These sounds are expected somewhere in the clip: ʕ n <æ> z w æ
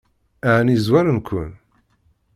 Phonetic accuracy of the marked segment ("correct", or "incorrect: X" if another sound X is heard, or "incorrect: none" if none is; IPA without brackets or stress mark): incorrect: i